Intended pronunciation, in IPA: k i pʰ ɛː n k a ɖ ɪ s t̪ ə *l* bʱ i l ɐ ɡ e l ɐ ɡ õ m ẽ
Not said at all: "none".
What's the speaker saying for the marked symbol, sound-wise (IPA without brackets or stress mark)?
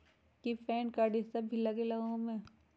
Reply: none